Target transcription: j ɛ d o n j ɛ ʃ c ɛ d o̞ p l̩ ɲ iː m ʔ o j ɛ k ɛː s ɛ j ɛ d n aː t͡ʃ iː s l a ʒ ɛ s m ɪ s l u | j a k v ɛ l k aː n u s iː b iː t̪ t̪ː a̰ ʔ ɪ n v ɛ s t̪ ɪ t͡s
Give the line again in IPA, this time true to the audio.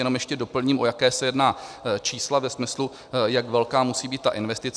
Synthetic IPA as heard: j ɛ n o m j ɛ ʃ c ɛ d o̞ p l̩ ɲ iː m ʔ o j a k ɛː s ɛ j ɛ d n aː t͡ʃ iː s l a v ɛ s m ɪ s l u | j a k v ɛ l k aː m u s iː b iː t̪ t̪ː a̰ ʔ ɪ n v ɛ s t̪ ɪ t͡s